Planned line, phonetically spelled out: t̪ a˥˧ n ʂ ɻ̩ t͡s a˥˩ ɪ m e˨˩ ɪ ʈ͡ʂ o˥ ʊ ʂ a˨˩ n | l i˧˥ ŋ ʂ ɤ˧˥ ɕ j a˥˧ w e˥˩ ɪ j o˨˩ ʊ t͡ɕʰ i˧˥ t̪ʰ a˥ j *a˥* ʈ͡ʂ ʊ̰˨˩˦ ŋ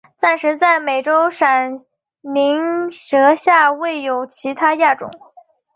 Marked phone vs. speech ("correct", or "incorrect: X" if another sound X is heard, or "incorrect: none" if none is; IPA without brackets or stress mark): incorrect: a˥˩